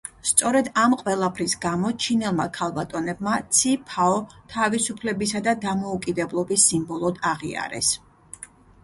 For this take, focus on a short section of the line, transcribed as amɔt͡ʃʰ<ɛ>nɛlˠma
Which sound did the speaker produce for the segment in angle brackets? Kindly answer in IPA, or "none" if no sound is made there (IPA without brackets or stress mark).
i